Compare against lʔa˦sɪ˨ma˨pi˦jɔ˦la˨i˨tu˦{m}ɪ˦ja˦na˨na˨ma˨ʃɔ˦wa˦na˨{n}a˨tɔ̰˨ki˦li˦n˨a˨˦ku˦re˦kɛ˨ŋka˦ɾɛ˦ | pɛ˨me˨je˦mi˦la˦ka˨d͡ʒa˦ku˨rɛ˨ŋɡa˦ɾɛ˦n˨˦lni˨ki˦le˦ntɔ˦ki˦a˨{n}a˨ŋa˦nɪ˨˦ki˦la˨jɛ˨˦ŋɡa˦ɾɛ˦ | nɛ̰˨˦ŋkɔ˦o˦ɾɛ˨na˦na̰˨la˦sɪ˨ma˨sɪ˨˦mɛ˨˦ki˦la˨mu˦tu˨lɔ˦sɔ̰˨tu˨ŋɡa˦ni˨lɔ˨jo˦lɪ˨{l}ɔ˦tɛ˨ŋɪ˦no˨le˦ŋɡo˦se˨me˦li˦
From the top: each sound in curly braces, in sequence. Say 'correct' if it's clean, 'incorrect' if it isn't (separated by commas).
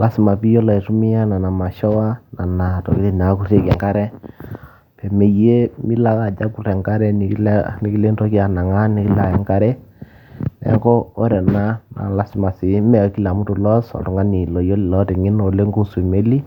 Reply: correct, correct, correct, correct